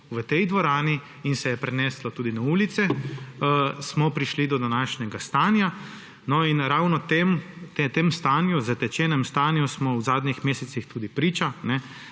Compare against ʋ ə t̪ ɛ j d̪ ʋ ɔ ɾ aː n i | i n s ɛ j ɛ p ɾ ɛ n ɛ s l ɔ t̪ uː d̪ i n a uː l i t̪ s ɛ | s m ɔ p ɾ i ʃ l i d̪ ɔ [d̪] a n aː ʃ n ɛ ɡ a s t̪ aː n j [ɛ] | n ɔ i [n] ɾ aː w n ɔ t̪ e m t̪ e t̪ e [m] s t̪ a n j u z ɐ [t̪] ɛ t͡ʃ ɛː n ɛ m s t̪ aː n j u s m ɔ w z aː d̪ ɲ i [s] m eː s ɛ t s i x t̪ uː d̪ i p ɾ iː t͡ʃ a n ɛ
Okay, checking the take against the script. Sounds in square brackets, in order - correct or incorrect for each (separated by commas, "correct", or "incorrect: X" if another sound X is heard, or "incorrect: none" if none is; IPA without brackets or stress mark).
correct, incorrect: a, correct, correct, correct, incorrect: x